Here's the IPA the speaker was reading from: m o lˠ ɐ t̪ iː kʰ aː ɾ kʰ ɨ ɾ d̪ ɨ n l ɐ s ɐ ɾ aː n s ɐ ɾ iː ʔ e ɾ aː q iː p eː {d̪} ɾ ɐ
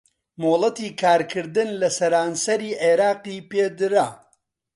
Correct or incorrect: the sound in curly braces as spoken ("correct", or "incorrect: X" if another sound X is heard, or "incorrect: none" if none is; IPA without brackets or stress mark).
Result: correct